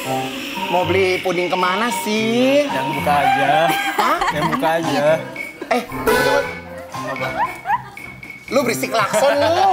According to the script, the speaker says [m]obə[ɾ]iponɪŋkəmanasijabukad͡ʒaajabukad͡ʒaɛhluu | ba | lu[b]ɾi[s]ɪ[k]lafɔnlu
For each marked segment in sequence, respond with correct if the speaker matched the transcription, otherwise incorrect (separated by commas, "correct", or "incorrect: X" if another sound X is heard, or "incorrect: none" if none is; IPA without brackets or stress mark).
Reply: correct, incorrect: l, correct, correct, correct